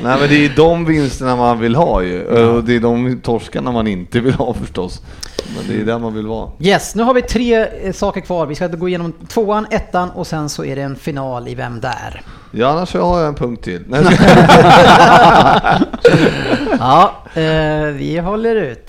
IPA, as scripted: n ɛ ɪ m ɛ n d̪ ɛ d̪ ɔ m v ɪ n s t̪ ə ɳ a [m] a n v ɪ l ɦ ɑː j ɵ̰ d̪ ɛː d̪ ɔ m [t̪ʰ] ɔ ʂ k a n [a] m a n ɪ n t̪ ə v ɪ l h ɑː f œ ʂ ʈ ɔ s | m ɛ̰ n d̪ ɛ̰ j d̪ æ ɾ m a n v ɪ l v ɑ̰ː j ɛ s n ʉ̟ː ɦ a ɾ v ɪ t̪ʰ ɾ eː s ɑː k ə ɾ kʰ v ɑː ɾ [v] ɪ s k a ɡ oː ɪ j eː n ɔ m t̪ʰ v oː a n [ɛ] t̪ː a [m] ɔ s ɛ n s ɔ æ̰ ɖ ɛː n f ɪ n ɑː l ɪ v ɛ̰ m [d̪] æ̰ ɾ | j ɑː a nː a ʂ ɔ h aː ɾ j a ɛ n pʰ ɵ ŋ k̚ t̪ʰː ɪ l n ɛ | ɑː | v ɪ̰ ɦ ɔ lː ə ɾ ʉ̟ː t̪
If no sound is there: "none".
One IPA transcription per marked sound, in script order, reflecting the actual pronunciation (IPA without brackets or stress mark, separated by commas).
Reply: m, t̪ʰ, a, v, ɛ, n, d̪